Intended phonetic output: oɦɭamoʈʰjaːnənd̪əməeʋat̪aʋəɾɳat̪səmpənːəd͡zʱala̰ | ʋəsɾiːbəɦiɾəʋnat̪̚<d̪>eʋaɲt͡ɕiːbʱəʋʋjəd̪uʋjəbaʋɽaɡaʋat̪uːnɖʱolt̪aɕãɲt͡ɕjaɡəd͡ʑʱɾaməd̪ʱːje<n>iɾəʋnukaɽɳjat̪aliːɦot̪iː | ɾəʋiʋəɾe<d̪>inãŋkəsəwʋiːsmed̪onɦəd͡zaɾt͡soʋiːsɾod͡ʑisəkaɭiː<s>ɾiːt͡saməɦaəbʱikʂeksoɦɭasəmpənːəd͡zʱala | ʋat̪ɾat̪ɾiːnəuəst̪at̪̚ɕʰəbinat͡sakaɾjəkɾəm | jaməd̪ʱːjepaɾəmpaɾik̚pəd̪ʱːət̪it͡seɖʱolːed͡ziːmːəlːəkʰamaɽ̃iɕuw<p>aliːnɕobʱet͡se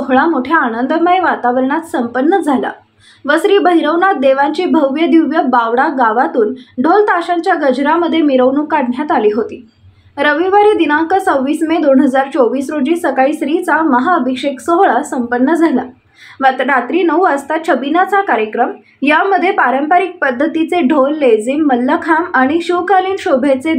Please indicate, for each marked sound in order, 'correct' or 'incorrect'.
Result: correct, incorrect, correct, correct, incorrect

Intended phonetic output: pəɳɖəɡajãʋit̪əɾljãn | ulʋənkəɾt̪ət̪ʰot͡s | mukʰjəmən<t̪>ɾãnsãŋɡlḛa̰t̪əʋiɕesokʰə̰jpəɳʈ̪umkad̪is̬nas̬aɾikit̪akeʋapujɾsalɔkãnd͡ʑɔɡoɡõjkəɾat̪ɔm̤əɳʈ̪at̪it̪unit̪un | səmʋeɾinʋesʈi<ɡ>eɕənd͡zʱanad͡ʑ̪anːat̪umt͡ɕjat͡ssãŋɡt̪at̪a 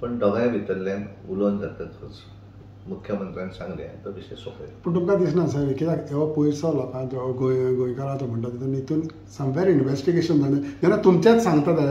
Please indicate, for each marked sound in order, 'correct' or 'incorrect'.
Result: correct, correct

